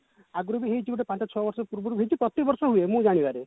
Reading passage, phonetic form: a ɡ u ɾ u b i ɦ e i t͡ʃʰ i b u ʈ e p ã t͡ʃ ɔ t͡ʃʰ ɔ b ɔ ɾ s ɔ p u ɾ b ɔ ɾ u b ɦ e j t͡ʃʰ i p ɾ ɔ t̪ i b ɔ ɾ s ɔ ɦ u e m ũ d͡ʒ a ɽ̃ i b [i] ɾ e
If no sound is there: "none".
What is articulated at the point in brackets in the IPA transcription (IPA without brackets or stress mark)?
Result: a